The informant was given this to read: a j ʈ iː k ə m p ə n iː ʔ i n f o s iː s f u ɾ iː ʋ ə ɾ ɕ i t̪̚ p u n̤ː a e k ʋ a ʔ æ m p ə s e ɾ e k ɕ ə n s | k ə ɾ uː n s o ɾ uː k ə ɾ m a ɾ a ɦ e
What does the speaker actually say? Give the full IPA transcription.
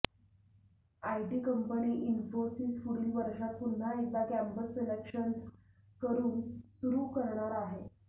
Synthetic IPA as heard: a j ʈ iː k ə m p ə n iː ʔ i n f o s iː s f u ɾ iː ʋ ə ɾ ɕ a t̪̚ p u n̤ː a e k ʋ a k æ m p ə s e l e k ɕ ə n s | k ə ɾ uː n s u ɾ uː k ə ɾ ɳ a ɾ a ɦ e